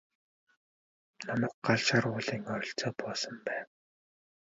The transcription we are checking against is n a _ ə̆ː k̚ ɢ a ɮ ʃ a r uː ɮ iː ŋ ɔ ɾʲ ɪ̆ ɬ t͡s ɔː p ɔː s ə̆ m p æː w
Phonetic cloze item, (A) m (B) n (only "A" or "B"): A